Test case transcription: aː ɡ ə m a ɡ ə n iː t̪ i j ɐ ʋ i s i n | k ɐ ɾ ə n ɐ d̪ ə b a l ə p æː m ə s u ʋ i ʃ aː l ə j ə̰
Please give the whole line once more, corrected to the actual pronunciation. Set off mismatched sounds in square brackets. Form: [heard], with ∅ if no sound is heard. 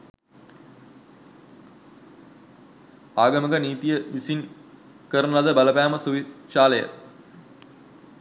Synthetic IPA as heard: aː ɡ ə m [ə] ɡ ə n iː t̪ i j [ə] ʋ i s i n | k [ə] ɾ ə n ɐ d̪ ə b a l ə p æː m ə s u ʋ i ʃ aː l ə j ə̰